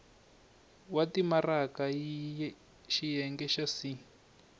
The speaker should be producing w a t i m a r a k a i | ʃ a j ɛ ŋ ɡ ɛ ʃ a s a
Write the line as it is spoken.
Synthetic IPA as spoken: w a t i m a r a k a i | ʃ i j ɛ ŋ ɡ ɛ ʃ a s i